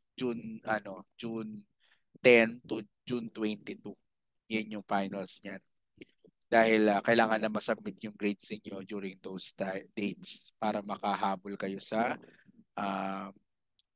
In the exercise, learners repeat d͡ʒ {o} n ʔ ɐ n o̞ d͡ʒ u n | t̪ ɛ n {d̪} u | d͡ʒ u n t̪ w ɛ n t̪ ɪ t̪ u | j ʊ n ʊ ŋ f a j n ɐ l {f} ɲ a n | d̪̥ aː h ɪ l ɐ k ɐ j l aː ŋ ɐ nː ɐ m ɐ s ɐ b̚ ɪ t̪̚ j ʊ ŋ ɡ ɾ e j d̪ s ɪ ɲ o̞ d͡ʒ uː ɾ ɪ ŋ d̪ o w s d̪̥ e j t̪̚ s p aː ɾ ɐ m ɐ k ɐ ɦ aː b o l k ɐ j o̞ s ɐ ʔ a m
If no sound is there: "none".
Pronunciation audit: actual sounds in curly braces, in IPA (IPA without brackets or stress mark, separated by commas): u, t̪, s